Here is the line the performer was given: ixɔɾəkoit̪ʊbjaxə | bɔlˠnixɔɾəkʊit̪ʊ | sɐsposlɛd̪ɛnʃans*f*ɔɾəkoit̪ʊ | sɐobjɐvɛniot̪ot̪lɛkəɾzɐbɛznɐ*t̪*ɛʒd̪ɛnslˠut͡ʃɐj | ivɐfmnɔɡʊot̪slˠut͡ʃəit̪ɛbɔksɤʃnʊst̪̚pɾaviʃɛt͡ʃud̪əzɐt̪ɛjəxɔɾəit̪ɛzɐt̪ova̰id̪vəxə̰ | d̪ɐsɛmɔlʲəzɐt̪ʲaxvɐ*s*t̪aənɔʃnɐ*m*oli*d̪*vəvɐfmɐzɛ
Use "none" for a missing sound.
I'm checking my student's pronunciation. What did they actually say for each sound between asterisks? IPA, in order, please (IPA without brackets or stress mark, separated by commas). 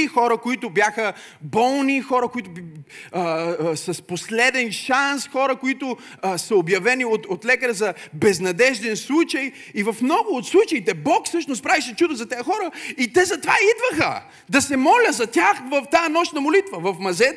x, d̪, f, m, t̪